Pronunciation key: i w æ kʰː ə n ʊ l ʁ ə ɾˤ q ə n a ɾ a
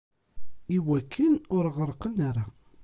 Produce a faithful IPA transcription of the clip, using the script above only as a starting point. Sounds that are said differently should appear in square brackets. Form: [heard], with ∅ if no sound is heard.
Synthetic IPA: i w æ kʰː ə n ʊ [ɾ] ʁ ə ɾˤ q ə n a ɾ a